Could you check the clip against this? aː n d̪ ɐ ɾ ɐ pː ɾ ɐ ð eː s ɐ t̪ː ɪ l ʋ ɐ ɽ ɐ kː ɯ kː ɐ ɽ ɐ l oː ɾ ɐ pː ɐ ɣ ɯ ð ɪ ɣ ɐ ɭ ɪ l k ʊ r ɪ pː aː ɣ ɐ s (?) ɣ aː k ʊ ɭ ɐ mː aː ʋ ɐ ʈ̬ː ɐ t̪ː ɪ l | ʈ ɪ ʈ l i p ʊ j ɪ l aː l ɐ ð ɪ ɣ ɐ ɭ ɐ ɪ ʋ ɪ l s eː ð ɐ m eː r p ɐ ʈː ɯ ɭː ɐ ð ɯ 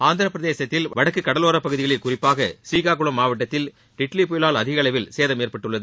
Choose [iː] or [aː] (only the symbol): iː